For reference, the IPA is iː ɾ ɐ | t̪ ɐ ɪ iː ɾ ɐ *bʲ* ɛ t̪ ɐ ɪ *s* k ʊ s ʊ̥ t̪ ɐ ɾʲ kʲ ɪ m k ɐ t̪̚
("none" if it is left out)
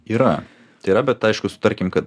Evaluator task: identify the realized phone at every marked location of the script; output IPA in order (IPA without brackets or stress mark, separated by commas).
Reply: bʲ, ʃ